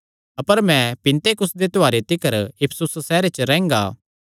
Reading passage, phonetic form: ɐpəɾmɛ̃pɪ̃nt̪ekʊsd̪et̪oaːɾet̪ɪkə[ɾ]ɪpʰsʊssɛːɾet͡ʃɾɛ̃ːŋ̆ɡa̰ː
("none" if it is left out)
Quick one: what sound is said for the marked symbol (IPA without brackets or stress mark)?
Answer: ɾ